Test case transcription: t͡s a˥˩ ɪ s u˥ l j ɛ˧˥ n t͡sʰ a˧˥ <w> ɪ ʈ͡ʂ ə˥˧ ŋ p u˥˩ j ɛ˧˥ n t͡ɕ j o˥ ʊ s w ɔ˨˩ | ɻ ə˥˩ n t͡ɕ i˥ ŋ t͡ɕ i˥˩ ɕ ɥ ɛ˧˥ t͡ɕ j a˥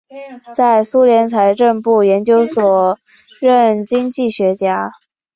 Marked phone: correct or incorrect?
incorrect